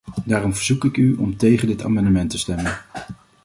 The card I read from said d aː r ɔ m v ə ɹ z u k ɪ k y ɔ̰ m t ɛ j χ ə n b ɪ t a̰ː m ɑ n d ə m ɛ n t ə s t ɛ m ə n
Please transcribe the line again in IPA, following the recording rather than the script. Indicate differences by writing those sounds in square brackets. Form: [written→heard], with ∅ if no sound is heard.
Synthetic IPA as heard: d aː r ɔ m v ə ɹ z u k ɪ k y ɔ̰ m t [ɛ→e] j χ ə n [b→d] ɪ t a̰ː m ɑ n d ə m ɛ n t ə s t ɛ m ə n